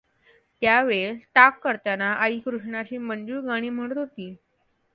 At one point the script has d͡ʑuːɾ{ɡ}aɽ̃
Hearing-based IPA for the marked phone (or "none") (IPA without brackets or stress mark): ɡ